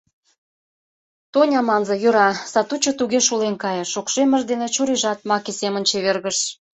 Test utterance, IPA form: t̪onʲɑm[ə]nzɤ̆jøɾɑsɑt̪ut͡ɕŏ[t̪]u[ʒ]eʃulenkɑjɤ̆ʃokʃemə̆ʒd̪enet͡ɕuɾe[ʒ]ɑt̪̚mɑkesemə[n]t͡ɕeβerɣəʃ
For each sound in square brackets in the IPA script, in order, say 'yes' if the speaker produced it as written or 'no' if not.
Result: no, yes, no, yes, yes

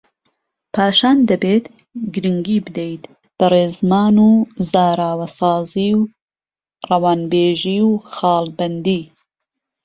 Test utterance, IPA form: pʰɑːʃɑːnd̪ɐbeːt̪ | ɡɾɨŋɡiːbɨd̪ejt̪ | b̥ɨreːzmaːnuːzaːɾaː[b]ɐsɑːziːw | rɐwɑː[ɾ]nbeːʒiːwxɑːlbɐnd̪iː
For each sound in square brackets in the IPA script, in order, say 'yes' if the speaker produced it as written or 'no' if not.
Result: no, no

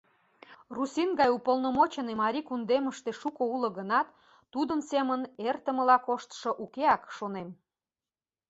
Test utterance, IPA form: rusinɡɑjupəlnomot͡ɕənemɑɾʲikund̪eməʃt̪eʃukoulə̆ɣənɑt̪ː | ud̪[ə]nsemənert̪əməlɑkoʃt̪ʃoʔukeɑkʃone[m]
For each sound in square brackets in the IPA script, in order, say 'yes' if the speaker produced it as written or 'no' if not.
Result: yes, yes

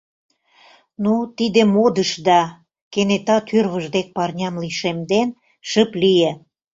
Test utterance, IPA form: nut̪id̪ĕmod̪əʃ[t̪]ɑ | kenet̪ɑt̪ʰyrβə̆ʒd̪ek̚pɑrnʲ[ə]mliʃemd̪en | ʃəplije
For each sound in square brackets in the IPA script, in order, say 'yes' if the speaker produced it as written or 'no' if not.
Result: no, no

